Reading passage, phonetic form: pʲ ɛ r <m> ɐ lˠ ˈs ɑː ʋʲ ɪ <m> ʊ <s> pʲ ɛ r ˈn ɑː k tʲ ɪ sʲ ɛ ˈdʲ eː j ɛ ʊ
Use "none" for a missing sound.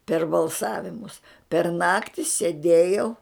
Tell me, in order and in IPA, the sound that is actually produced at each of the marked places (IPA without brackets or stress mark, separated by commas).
b, m, s